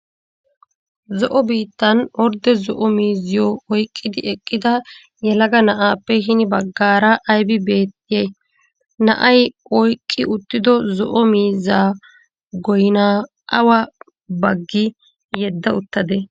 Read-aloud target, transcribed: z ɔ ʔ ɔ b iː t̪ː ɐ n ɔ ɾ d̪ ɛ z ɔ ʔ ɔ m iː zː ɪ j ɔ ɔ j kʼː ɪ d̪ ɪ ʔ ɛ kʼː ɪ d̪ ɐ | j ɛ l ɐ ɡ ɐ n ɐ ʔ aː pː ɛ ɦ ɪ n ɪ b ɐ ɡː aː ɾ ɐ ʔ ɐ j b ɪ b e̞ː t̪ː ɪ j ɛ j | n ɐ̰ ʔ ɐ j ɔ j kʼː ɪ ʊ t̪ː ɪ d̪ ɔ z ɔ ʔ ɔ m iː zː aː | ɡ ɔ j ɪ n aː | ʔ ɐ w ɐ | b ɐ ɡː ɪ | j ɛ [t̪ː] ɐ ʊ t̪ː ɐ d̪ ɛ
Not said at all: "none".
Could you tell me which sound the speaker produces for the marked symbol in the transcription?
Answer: d̪ː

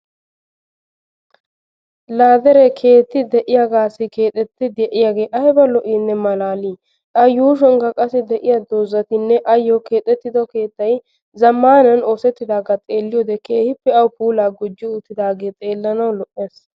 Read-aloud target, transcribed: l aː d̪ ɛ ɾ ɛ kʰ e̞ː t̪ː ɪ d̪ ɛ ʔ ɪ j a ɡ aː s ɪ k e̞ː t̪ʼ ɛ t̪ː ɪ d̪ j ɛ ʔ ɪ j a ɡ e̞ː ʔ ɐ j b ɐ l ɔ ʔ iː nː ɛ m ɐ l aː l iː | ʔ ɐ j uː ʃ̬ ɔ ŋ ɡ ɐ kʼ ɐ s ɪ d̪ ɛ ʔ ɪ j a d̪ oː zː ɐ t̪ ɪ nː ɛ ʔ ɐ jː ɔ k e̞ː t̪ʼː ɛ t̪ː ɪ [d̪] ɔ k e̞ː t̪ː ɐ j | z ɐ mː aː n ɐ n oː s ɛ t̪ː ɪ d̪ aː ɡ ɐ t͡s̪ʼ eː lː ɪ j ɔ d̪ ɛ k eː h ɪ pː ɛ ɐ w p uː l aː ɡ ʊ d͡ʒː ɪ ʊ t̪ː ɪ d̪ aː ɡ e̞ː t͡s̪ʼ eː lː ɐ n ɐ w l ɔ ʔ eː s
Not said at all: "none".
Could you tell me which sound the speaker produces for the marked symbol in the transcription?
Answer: d̪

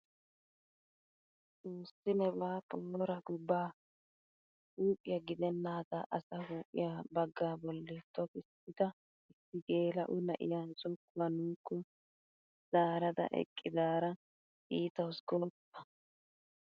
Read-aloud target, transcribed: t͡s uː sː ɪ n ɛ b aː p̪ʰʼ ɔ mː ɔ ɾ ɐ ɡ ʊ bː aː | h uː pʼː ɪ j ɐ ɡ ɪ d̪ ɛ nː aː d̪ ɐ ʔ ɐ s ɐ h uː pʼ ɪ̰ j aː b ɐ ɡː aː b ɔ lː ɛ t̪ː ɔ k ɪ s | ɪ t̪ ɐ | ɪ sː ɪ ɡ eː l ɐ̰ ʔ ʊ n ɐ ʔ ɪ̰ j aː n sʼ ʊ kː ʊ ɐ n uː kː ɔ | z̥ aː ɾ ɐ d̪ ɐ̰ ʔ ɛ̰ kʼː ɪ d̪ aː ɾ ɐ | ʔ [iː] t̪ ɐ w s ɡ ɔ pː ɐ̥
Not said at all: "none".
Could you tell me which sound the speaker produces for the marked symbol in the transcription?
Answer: iː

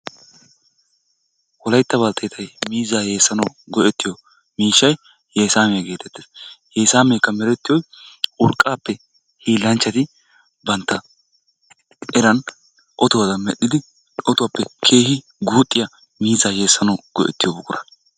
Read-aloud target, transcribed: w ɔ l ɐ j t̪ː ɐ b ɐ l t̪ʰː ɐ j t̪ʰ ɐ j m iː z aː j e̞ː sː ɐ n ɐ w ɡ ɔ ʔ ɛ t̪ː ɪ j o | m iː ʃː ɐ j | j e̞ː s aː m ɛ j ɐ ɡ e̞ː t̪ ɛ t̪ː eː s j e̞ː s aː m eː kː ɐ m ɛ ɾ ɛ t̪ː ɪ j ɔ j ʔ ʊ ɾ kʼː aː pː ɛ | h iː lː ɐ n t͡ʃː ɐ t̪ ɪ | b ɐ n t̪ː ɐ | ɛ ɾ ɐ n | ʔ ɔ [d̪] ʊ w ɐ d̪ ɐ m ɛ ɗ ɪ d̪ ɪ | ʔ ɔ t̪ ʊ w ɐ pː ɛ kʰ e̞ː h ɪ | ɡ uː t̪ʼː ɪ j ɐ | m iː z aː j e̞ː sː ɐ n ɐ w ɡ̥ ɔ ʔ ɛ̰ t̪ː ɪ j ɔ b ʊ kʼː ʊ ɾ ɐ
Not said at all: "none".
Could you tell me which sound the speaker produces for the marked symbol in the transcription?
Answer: t̪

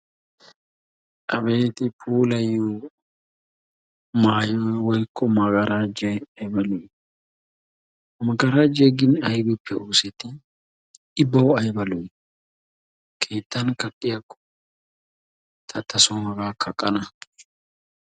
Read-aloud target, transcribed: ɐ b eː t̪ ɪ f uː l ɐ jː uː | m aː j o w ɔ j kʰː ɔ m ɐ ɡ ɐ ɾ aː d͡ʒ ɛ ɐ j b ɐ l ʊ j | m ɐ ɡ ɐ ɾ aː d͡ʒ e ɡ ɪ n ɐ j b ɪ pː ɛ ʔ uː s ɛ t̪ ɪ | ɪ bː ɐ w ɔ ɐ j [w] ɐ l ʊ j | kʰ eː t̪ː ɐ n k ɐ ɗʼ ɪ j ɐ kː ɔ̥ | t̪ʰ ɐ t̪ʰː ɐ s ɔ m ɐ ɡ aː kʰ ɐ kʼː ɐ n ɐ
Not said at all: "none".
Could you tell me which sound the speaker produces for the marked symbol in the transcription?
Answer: b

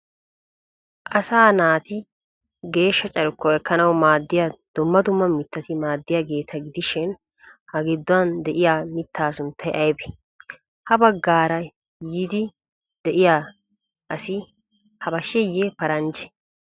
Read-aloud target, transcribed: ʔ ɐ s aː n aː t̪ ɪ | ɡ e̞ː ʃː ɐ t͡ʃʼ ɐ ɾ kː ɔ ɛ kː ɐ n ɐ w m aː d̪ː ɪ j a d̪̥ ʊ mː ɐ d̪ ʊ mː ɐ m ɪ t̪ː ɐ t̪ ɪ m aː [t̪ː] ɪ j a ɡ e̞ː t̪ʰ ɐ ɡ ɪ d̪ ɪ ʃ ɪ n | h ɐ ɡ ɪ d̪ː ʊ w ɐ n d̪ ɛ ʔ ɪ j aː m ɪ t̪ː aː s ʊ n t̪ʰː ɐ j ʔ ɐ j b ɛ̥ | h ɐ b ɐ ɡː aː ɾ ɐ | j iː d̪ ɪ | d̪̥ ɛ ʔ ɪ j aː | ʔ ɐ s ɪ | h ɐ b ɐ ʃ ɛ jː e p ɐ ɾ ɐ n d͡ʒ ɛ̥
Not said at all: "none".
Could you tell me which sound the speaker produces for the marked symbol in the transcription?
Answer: d̪ː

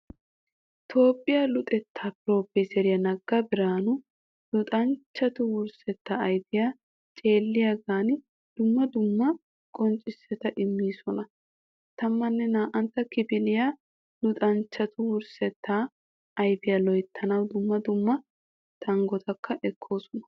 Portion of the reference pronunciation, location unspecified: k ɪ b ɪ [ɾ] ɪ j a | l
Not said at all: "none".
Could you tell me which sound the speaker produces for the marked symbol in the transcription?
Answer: l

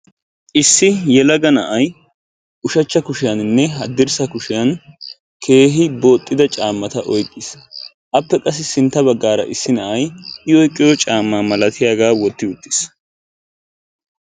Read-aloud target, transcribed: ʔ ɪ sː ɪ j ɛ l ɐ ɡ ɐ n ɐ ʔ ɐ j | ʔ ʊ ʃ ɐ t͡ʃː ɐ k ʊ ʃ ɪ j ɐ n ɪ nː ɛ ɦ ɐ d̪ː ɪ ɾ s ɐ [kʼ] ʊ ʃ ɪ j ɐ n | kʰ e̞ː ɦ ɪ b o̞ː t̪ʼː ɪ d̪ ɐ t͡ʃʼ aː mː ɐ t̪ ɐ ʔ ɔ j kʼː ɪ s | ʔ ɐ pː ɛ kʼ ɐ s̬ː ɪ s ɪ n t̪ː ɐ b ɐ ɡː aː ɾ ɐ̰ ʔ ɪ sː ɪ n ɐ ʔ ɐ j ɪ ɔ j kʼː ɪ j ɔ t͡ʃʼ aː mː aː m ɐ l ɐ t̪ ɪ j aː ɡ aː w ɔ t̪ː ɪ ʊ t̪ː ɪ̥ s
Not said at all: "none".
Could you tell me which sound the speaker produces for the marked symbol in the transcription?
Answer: k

